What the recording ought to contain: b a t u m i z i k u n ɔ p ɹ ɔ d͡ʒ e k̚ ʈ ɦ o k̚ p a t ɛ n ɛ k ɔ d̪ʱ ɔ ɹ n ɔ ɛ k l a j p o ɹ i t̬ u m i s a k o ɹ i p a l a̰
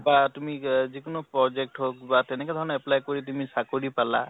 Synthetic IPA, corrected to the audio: b a t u m i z i k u n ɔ p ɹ ɔ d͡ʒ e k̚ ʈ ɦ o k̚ b a t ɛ n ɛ k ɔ d̪ʱ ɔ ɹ n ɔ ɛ p l a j k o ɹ i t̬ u m i s a k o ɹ i p a l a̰